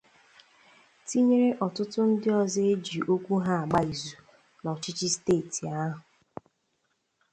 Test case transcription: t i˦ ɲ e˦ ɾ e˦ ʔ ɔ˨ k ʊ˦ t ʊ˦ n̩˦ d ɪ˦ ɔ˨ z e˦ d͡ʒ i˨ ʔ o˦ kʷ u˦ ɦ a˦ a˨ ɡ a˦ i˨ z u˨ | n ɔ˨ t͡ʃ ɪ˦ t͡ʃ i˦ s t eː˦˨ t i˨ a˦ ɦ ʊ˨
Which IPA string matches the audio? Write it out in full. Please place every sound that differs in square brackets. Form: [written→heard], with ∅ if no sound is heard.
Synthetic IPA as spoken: t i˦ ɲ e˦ ɾ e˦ ʔ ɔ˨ [k→t] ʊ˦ t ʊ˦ n̩˦ d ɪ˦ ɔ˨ z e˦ d͡ʒ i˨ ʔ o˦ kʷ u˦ ɦ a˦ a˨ [ɡ→ɡ͡b] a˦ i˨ z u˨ | n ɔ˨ t͡ʃ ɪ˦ t͡ʃ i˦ s t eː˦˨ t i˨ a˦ ɦ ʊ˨